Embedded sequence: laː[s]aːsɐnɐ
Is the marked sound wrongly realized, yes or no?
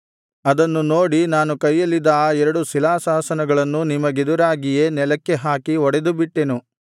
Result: no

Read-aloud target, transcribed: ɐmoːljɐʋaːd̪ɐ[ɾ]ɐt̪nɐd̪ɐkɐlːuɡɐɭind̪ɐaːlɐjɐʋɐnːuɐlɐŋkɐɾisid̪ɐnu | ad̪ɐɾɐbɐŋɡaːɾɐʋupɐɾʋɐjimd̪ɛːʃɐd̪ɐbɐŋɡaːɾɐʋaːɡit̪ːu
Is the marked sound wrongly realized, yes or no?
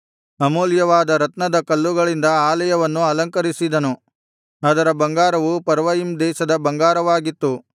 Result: no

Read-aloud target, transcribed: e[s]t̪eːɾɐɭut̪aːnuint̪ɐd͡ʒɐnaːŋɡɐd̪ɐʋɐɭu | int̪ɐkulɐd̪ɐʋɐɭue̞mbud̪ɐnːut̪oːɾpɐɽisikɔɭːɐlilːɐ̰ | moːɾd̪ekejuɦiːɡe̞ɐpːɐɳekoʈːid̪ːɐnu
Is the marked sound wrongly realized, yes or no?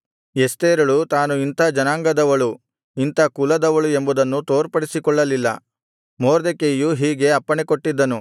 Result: no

